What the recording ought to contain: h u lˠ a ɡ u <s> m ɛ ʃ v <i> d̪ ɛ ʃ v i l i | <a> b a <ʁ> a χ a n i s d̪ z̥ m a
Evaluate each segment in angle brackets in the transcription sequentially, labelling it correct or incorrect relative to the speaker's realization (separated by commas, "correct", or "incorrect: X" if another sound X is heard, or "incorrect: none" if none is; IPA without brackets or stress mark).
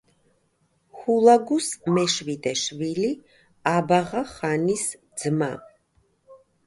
correct, correct, correct, correct